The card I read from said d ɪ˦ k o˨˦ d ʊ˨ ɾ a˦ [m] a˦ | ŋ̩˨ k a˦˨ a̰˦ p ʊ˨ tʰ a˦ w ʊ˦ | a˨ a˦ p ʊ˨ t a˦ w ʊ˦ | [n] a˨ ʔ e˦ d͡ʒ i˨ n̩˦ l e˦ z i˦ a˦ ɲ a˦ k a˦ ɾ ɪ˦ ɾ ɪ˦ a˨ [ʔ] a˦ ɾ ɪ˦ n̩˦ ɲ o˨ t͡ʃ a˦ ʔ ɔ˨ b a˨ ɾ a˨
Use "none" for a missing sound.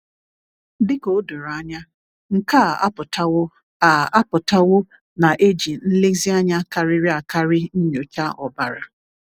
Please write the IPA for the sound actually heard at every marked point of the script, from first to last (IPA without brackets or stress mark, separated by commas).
ɲ, n, k